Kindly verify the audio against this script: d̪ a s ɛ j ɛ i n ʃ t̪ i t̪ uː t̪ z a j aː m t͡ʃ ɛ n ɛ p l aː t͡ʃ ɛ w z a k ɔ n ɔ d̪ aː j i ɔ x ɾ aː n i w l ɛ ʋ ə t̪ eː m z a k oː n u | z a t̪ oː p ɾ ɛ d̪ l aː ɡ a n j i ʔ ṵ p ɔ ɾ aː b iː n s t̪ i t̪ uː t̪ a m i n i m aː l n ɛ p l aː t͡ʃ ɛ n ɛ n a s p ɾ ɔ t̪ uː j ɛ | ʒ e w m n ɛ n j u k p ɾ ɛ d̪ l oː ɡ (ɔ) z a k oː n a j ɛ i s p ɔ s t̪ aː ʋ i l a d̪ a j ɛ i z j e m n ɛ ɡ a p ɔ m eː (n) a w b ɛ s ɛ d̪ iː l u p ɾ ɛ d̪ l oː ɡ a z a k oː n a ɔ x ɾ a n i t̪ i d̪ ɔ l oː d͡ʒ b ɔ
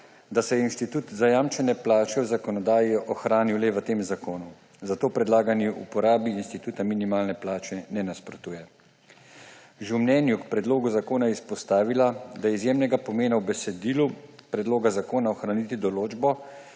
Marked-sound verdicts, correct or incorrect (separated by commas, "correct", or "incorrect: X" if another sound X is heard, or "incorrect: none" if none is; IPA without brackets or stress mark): incorrect: u, correct